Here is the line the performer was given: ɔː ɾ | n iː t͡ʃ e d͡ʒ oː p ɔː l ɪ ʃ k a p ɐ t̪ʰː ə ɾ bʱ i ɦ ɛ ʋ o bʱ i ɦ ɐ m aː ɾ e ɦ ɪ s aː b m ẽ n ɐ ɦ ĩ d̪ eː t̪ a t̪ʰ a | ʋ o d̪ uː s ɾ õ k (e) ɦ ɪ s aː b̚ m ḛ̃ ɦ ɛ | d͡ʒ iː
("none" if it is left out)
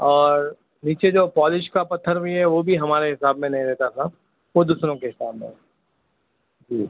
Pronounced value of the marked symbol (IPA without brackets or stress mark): e